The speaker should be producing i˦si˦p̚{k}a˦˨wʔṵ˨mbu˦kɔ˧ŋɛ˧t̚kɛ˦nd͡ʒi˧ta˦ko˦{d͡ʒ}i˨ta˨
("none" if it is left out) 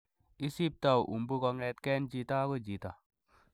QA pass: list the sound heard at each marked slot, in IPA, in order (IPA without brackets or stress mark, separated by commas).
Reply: t, d͡ʒ